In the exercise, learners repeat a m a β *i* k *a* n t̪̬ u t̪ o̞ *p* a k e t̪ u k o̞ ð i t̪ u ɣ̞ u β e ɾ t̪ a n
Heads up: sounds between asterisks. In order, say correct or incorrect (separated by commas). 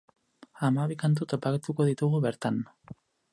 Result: correct, correct, correct